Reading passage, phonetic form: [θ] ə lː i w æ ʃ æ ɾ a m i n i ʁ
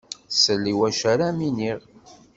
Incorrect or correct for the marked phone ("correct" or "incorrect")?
incorrect